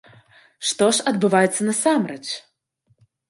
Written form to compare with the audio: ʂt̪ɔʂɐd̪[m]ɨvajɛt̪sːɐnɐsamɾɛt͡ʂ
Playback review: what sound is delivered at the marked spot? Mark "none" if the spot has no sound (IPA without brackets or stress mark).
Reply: b